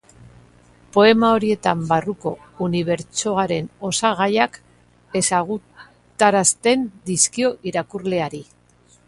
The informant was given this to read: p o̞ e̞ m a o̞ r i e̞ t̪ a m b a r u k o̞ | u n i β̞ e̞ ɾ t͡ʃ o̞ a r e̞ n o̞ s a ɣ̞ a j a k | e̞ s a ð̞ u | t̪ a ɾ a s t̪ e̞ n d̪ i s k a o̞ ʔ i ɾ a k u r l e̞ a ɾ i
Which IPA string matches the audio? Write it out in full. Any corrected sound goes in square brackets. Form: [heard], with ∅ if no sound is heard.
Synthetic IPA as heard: p o̞ e̞ m a o̞ [ɾ] i e̞ t̪ a m b a r u k o̞ | u n i β̞ e̞ ɾ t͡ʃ o̞ a [ɾ] e̞ n o̞ s a ɣ̞ a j a k | e̞ s a [ɣ̞] u | t̪ a ɾ a s t̪ e̞ n d̪ i s k [i] o̞ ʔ i ɾ a k u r l e̞ a ɾ i